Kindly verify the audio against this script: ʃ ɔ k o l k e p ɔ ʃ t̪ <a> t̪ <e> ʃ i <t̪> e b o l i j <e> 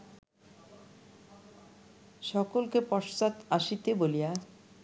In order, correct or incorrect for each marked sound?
correct, incorrect, correct, incorrect

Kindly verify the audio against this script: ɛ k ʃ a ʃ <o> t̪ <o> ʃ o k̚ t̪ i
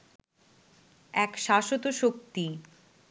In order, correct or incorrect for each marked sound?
correct, correct

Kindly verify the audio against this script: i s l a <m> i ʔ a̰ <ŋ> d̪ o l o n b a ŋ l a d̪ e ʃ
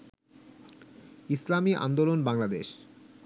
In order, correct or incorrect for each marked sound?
correct, incorrect

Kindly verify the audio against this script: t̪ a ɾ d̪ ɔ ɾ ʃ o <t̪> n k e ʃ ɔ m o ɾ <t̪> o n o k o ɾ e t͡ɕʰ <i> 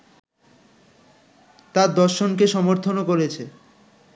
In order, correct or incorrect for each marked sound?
incorrect, incorrect, incorrect

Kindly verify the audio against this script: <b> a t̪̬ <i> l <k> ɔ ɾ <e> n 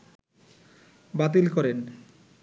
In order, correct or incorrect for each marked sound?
correct, correct, correct, correct

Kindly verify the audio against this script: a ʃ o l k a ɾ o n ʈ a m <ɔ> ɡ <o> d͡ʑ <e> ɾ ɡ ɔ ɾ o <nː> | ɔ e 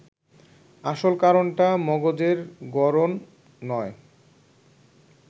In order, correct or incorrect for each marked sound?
correct, correct, correct, correct

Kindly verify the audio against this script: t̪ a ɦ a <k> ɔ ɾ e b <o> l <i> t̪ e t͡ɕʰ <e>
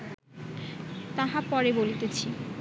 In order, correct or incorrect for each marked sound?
incorrect, correct, correct, incorrect

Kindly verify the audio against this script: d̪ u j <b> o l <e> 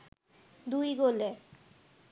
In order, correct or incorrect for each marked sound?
incorrect, correct

